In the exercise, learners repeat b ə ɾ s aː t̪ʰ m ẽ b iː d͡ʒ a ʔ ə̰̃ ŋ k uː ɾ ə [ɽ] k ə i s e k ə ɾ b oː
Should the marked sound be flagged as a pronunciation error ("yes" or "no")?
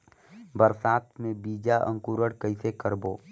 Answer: no